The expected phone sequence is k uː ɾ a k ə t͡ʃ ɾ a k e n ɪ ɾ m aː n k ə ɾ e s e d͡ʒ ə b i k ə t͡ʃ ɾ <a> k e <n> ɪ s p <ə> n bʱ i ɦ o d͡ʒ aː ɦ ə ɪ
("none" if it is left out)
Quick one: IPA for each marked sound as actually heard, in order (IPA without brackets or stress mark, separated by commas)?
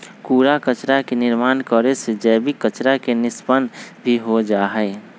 a, n, ə